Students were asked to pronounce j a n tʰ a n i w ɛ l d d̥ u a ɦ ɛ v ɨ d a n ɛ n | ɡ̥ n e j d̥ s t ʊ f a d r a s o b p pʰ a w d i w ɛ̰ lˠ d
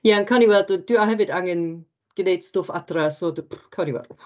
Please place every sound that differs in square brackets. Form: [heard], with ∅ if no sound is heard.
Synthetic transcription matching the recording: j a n [kʰ] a n i w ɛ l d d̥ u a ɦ ɛ v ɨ d a [ŋ] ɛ n | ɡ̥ n e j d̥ s t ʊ f a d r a s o [d] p [kʰ] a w [n] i w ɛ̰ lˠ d

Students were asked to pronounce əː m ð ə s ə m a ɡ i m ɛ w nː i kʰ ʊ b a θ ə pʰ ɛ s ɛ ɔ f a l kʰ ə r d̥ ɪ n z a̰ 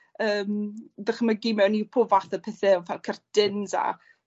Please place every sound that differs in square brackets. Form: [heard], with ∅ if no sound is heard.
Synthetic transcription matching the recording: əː m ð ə [χ] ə m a ɡ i m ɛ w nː i [pʰ] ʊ [v] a θ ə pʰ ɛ [θ] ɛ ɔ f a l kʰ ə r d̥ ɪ n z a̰

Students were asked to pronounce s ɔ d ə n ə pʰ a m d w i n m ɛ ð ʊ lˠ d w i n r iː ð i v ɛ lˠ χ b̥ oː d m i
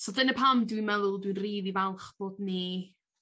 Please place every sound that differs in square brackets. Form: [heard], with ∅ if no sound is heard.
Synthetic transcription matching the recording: s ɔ d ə n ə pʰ a m d w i n m ɛ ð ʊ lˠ d w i n r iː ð i v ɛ lˠ χ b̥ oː d [n] i

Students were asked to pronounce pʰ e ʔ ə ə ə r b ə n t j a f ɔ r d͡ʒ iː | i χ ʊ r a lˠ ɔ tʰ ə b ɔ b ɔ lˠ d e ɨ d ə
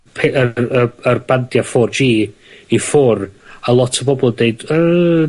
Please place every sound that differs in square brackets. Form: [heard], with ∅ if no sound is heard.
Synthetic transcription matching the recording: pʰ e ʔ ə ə ə r b [a] n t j a f ɔ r d͡ʒ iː | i [f] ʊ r a lˠ ɔ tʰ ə b ɔ b ɔ lˠ d e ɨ d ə

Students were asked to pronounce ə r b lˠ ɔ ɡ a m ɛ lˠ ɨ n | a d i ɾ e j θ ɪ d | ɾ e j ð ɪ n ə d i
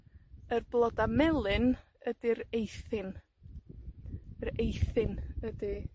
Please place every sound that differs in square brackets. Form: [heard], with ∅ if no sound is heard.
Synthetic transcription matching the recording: ə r b lˠ ɔ [d] a m ɛ lˠ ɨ n | [ə] d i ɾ e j θ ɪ [n] | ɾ e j [θ] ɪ n ə d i

